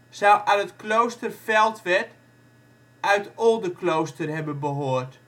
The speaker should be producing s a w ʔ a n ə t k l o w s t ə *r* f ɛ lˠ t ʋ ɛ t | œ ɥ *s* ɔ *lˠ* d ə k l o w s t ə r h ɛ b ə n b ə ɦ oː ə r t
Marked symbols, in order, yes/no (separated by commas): yes, no, yes